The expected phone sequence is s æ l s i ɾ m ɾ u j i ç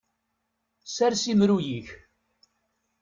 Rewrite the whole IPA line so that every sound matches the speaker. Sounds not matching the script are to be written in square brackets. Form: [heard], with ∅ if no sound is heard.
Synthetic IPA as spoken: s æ [ɾ] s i [∅] m ɾ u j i ç